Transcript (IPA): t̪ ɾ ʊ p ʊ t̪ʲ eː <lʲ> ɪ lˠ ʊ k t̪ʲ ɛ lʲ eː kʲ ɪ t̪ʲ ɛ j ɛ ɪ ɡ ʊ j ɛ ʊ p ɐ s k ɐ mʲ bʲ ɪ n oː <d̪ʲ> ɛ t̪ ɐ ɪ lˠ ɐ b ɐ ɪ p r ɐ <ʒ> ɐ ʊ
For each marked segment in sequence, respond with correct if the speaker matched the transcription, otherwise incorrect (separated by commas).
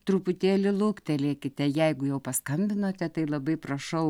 correct, incorrect, incorrect